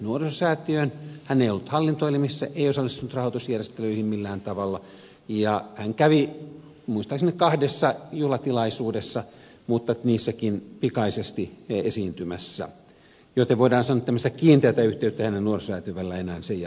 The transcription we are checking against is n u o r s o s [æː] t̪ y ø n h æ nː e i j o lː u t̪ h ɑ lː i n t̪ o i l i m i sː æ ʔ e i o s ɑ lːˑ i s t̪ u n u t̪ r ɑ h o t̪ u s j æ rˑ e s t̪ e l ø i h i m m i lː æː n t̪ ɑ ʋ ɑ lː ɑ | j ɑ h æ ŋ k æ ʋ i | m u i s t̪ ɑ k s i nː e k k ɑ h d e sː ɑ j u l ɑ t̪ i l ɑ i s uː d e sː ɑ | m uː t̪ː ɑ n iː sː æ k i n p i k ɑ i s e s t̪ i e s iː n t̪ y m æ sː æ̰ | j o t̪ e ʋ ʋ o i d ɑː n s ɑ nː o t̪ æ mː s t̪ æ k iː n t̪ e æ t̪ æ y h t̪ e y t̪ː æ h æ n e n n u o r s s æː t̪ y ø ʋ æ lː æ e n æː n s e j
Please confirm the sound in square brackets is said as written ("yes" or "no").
yes